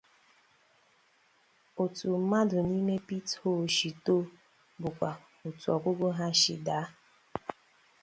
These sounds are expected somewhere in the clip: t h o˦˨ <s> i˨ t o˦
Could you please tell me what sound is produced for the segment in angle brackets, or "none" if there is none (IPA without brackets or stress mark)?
ʃ